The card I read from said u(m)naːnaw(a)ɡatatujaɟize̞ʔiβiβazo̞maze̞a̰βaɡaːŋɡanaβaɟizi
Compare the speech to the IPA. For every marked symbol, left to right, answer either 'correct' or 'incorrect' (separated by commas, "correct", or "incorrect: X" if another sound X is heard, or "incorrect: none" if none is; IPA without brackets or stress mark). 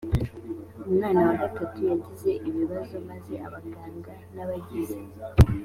correct, correct